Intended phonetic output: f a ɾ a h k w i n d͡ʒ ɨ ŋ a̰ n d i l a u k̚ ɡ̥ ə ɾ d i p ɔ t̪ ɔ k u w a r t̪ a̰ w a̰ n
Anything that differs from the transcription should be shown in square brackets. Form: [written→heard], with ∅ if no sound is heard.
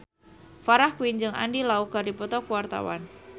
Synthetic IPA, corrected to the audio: f a ɾ a h k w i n d͡ʒ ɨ ŋ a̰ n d i l a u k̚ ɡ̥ [ə→a] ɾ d i p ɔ t̪ ɔ k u w a r t̪ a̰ w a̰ n